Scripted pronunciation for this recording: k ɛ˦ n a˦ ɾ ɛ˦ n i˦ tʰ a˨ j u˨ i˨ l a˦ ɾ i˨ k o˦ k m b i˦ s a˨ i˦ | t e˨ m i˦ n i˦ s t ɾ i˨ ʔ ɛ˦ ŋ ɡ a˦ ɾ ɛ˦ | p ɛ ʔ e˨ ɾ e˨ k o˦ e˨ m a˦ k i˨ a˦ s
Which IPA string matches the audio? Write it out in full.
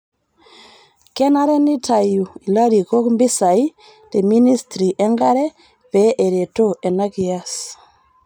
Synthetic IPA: k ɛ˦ n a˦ ɾ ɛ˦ n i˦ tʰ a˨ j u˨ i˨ l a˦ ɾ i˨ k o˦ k m b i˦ s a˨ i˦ | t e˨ m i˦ n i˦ s t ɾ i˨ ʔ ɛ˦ ŋ ɡ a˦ ɾ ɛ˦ | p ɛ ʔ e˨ ɾ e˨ t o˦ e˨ n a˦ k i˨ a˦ s